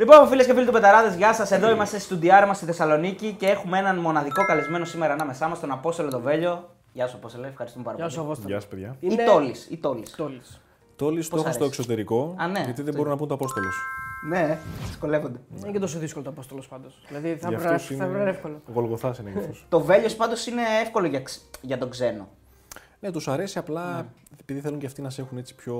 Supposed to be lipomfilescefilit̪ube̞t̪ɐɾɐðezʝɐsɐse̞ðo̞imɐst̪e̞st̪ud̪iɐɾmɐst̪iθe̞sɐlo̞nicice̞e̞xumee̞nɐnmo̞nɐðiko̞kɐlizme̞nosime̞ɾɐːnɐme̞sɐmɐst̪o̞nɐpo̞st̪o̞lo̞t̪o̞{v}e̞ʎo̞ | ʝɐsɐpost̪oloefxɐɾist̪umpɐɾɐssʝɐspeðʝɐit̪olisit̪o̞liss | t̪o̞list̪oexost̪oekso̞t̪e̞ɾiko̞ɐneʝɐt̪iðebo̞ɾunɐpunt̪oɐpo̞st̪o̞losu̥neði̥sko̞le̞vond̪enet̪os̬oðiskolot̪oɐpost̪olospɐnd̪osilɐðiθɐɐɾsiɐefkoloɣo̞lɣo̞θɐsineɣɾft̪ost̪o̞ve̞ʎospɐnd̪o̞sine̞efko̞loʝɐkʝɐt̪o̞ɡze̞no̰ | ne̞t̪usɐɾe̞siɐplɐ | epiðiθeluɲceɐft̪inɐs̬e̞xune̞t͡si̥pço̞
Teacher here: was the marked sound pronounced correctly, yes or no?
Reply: yes